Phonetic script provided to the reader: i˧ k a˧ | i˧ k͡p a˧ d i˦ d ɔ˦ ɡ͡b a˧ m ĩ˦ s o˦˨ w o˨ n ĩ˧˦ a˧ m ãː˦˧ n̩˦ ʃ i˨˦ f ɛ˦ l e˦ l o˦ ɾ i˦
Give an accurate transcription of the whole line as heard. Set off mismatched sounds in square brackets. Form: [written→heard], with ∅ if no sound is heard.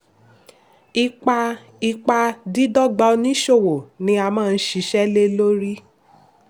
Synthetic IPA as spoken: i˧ [k→k͡p] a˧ | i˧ k͡p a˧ d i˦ d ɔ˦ ɡ͡b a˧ [m→n] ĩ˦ [s→ʃ] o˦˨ w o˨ n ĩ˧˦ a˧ m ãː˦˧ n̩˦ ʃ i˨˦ [f→ʃ] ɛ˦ l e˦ l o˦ ɾ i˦